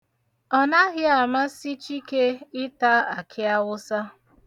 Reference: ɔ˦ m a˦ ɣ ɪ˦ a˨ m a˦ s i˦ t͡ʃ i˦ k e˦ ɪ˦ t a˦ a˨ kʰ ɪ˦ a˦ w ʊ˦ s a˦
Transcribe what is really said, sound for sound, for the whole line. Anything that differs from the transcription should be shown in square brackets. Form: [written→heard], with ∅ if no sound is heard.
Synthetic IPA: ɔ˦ [m→n] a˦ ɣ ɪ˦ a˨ m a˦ s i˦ t͡ʃ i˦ k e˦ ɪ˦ t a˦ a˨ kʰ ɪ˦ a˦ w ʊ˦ s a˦